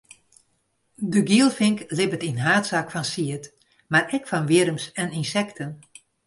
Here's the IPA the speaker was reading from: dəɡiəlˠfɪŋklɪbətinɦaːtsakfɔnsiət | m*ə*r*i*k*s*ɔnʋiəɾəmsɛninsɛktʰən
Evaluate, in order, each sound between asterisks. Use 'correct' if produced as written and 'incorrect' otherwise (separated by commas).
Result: incorrect, incorrect, incorrect